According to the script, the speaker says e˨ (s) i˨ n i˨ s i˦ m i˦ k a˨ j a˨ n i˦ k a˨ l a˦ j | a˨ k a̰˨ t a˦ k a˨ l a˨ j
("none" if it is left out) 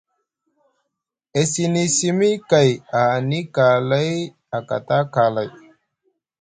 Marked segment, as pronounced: s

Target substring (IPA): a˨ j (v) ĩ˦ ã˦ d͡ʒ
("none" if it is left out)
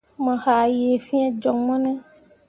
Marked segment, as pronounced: f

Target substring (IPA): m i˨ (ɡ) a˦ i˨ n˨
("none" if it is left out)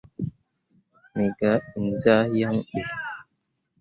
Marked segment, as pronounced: ɡ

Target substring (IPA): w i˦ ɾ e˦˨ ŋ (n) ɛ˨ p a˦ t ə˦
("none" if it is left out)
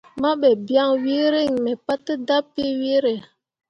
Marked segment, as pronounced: m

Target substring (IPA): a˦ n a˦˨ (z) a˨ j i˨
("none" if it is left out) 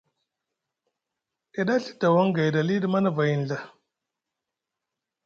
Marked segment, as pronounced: v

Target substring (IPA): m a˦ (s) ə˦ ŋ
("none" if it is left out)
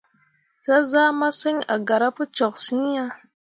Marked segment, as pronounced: s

